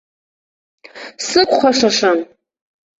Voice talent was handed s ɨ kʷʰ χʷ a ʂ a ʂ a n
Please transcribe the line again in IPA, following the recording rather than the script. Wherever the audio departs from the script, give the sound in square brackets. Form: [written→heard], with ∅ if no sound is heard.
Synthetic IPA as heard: s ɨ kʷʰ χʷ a ʂ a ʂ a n